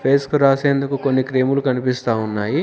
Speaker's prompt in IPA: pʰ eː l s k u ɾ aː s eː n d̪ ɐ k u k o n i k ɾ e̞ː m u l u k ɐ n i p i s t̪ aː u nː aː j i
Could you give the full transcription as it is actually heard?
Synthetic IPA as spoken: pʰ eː s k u ɾ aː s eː n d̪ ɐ k u k o nː i k ɾ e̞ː m u l u k ɐ n i p i s t̪ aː u nː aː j i